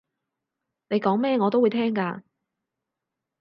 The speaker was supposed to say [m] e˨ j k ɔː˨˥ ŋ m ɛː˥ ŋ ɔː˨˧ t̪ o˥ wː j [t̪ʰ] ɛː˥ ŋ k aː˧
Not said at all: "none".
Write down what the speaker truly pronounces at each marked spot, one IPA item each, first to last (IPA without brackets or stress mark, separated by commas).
n, t̪ʰ